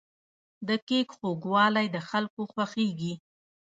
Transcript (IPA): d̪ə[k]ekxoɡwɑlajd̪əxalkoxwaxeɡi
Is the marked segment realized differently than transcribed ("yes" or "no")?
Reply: no